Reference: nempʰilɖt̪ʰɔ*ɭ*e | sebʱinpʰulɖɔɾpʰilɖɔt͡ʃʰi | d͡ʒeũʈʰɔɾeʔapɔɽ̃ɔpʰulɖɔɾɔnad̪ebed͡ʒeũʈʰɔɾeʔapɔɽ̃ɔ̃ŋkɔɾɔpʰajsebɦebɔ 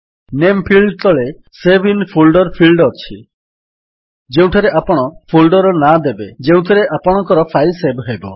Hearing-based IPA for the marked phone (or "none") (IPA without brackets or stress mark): ɭ